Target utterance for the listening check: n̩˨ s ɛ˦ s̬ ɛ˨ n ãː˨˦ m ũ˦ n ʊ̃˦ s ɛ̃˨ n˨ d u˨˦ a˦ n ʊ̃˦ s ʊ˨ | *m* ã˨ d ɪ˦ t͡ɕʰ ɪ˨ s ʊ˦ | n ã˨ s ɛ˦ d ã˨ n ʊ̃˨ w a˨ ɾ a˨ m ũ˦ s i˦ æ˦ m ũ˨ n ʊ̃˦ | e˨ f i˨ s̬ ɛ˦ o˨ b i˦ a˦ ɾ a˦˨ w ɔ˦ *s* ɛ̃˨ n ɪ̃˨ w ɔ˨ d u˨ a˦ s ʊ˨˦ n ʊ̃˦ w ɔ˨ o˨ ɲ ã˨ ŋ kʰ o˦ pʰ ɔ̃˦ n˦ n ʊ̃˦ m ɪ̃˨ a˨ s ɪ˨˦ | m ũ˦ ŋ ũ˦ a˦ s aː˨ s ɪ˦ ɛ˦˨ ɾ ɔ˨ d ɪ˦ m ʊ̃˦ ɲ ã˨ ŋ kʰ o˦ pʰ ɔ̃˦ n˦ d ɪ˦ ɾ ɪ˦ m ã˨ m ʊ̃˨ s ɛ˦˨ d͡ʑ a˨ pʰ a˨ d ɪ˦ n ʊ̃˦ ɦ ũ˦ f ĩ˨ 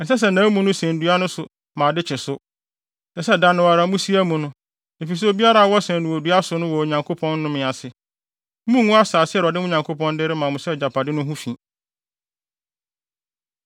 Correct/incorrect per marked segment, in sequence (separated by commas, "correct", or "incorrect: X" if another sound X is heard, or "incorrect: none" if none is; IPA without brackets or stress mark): correct, correct